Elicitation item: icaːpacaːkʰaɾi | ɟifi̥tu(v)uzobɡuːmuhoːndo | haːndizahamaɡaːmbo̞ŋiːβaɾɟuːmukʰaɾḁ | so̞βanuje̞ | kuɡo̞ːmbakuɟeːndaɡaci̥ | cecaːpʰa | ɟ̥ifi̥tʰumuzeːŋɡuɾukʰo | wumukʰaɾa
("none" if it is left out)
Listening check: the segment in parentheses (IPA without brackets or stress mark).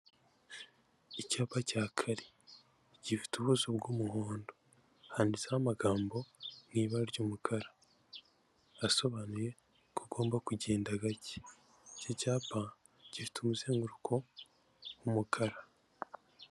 β